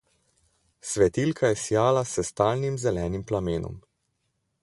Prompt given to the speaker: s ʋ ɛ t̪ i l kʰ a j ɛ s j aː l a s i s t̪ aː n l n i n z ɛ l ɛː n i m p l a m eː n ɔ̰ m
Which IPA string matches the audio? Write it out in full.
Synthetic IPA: s ʋ ɛ t̪ i l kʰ a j ɛ s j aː l a s ɛ s t̪ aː l n i m z ɛ l ɛː n i m p l a m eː n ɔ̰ m